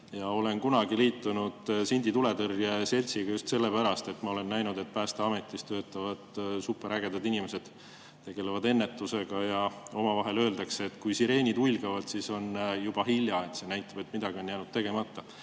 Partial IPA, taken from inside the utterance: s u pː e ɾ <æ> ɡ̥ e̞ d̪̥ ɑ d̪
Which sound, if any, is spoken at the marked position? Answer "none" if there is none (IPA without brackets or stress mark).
æ